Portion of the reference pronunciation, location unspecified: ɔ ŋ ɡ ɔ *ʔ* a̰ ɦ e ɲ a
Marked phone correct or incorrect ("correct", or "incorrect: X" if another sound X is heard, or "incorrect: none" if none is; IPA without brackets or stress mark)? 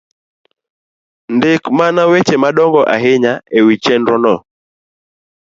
correct